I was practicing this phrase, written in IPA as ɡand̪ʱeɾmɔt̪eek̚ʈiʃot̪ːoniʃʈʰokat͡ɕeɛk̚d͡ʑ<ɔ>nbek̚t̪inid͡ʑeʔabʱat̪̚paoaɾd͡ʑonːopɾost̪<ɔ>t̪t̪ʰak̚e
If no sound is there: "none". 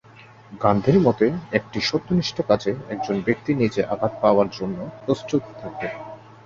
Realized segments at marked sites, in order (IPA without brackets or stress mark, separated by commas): o, u